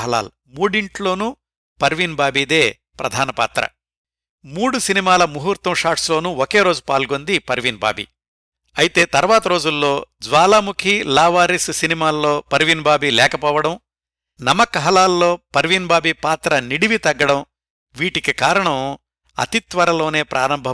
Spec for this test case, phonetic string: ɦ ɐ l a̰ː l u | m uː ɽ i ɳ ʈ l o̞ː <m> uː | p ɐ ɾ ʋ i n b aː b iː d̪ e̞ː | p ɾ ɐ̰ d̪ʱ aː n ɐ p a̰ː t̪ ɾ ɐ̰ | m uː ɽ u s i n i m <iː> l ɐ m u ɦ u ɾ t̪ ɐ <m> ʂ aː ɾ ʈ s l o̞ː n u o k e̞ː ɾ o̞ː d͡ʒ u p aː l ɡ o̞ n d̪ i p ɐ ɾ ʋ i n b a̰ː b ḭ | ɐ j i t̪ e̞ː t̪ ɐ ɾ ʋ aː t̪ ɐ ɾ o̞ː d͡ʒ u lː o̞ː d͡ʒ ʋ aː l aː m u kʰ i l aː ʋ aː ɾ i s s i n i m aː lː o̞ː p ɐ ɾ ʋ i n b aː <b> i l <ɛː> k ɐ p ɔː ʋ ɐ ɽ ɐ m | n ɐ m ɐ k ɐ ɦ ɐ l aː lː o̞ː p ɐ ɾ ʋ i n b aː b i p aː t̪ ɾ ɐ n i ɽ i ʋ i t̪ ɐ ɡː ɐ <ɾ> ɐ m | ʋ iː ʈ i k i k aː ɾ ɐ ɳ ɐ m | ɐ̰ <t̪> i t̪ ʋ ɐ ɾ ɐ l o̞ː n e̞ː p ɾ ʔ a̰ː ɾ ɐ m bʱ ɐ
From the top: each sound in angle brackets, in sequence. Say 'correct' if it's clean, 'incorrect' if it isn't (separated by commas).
incorrect, incorrect, correct, correct, correct, incorrect, correct